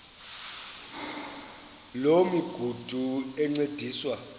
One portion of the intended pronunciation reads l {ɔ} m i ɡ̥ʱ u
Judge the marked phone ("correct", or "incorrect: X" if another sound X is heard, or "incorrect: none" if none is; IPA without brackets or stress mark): incorrect: o